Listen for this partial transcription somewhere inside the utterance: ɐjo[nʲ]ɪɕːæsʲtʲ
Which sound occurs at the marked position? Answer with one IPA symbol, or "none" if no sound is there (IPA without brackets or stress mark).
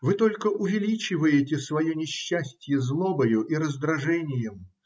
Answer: nʲ